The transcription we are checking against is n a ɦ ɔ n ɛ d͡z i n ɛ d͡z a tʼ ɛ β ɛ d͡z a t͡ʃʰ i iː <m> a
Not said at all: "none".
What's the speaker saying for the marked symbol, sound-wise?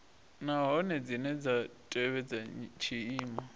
m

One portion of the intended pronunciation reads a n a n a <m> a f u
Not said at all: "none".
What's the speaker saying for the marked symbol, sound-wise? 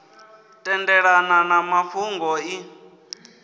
m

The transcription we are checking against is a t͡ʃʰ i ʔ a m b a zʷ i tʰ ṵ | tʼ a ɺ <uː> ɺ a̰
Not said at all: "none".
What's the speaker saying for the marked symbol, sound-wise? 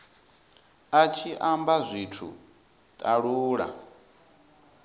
uː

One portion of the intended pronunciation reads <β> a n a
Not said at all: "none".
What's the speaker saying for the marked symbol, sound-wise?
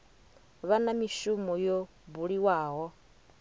β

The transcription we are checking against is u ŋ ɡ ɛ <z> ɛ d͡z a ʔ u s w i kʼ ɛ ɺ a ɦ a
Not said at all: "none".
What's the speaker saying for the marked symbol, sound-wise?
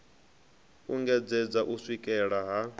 d͡z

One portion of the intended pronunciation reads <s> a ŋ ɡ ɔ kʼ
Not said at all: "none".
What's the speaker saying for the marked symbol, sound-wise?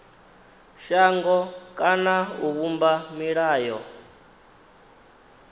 ʃ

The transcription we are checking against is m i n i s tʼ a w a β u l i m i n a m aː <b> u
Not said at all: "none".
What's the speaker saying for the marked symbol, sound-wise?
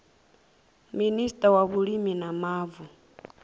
v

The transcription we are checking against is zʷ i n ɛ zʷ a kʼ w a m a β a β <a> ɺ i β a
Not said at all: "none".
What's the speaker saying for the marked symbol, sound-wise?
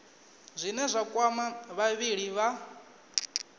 i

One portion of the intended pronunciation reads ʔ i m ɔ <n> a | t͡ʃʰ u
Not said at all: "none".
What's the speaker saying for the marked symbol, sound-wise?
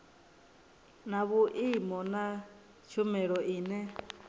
n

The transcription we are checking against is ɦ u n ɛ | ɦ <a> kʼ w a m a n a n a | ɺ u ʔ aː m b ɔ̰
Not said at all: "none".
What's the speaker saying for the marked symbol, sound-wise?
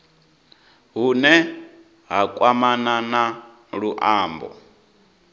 a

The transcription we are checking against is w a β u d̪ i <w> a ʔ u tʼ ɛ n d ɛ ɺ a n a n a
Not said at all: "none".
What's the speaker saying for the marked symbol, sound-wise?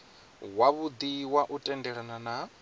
w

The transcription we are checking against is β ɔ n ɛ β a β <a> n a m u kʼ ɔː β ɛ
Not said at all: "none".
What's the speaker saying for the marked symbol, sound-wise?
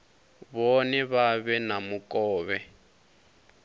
ɛ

